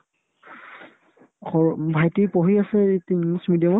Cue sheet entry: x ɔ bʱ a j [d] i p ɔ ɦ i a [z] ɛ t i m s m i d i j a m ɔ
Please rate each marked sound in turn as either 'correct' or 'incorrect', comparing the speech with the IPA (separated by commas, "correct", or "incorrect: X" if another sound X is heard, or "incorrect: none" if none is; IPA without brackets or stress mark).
incorrect: t, incorrect: s